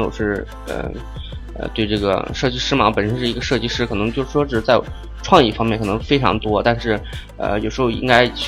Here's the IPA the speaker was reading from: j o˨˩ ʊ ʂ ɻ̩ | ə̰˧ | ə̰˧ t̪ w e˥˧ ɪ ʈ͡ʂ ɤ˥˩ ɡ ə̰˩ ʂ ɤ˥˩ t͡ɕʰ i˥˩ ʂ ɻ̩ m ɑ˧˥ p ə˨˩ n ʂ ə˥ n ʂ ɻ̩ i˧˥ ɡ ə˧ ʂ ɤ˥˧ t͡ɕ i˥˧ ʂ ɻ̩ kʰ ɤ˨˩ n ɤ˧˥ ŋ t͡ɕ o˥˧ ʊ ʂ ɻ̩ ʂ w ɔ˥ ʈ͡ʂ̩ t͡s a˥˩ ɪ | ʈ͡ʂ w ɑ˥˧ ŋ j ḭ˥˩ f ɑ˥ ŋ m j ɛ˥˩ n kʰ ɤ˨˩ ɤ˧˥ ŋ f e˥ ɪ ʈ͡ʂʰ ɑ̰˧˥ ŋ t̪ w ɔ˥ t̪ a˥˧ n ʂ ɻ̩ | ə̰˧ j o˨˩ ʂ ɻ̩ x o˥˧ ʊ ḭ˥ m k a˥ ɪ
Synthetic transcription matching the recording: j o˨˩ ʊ ʂ ɻ̩ | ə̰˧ | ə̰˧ t̪ w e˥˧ ɪ ʈ͡ʂ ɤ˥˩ ɡ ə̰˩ ʂ ɤ˥˩ t͡ɕ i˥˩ ʂ ɻ̩ m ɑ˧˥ p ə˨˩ n ʂ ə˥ n ʂ ɻ̩ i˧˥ ɡ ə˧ ʂ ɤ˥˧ t͡ɕ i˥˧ ʂ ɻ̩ kʰ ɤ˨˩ n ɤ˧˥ ŋ t͡ɕ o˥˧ ʊ ʂ ɻ̩ ʂ w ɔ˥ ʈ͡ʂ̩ t͡s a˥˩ ɪ | ʈ͡ʂʰ w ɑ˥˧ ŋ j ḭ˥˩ f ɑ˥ ŋ m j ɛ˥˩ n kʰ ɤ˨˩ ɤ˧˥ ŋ f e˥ ɪ ʈ͡ʂʰ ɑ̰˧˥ ŋ t̪ w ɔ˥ t̪ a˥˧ n ʂ ɻ̩ | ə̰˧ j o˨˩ ʂ ɻ̩ x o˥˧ ʊ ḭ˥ ŋ k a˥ ɪ